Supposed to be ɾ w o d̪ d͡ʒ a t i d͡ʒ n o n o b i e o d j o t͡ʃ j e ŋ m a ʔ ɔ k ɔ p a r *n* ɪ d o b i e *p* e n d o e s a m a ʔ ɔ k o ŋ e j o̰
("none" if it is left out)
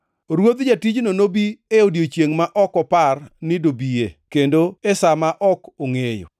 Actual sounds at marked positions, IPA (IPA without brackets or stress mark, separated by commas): n, k